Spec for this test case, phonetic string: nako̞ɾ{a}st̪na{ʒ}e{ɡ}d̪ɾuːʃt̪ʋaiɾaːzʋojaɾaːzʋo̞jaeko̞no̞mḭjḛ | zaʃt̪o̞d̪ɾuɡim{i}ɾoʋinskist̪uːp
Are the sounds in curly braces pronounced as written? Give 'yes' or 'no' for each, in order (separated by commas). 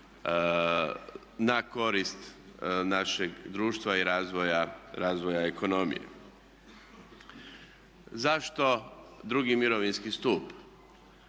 no, no, yes, yes